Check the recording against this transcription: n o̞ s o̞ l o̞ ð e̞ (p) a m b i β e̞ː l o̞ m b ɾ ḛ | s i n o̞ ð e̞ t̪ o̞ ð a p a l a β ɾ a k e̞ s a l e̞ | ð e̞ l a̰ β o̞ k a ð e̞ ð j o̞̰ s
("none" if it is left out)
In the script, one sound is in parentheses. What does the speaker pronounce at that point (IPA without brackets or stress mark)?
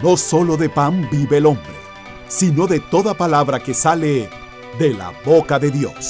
p